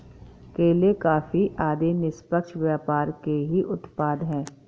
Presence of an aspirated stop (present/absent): absent